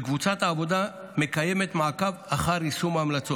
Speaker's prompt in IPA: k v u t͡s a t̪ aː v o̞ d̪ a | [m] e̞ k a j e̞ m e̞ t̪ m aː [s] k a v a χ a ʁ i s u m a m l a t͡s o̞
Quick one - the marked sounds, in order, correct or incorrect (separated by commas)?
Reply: correct, incorrect